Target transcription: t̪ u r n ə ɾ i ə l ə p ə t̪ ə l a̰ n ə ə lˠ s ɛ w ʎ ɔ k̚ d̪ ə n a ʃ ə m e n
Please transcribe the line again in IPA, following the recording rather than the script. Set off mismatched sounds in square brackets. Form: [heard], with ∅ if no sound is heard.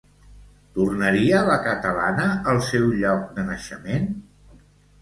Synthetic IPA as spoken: t̪ u r n ə ɾ i ə l ə [k] ə t̪ ə l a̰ n ə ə lˠ s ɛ w ʎ ɔ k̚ d̪ ə n [ə] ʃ ə m e n